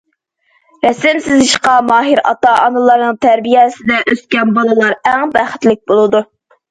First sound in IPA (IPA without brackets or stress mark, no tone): ɾ